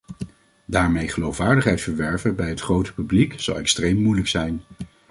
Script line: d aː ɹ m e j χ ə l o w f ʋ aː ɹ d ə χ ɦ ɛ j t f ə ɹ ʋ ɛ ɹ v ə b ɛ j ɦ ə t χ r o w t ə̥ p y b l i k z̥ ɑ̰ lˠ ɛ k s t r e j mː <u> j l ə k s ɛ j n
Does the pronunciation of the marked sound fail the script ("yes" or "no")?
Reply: no